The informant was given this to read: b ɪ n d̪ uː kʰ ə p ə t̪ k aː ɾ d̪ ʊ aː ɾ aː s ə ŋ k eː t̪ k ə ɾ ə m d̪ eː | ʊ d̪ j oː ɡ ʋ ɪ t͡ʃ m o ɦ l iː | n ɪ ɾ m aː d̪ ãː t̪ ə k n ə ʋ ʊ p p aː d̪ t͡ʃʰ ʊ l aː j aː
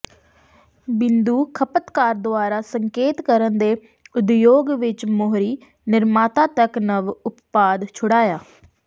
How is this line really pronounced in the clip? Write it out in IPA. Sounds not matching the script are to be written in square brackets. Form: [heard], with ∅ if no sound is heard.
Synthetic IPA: b ɪ n d̪ uː kʰ ə p ə t̪ k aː ɾ d̪ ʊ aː ɾ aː s ə ŋ k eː t̪ k ə ɾ ə [n] d̪ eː | ʊ d̪ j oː ɡ ʋ ɪ t͡ʃ m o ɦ [ɾ] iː | n ɪ ɾ m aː [t̪] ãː t̪ ə k n ə ʋ ʊ p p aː d̪ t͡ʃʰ ʊ [ɽ] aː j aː